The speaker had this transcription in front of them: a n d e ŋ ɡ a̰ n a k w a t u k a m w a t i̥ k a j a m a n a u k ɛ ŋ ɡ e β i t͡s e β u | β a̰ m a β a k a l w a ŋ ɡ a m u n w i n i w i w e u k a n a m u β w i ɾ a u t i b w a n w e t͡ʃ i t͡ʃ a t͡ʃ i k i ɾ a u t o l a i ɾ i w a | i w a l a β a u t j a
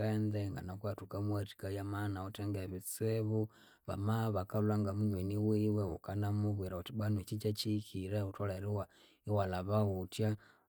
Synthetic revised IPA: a n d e ŋ ɡ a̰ n a k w a t u k a m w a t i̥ k a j a m a n a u t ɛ ŋ ɡ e β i t͡s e β u | β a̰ m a β a k a l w a ŋ ɡ a m u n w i n i w i w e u k a n a m u β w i ɾ a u t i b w a n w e t͡ʃ i t͡ʃ a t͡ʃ i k i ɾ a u t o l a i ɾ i w a | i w a l a β a u t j a